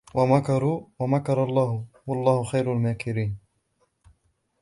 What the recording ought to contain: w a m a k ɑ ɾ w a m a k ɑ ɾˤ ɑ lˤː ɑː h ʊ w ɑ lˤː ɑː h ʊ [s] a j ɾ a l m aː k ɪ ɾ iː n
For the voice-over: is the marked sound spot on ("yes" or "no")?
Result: no